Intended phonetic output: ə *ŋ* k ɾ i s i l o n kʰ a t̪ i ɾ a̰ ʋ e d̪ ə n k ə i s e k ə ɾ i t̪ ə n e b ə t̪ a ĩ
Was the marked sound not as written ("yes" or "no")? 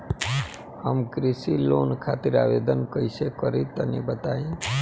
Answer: yes